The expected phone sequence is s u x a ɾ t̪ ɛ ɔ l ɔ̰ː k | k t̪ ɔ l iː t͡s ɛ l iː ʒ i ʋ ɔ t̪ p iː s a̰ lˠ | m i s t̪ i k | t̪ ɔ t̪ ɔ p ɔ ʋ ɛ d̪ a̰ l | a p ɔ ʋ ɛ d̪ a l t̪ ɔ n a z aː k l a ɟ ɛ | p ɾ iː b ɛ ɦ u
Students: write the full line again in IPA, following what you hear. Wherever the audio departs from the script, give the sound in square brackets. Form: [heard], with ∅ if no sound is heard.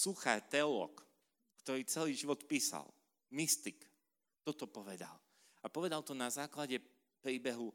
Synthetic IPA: s u x a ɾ t̪ ɛ ɔ l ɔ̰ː k | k t̪ ɔ [ɾ] iː t͡s ɛ l iː ʒ i ʋ ɔ t̪ p iː s a̰ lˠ | m i s t̪ i k | t̪ ɔ t̪ ɔ p ɔ ʋ ɛ d̪ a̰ l | a p ɔ ʋ ɛ d̪ a l t̪ ɔ n a z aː k l a ɟ ɛ | p ɾ iː b ɛ ɦ u